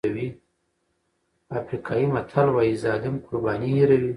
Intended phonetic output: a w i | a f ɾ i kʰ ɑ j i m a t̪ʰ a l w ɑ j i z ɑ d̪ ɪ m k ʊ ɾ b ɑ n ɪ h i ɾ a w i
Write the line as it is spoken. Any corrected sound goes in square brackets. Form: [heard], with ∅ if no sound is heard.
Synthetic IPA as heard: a w i | a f ɾ i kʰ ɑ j i m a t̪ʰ a l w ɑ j i z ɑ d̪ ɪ m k ʊ ɾ b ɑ n [i] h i ɾ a w i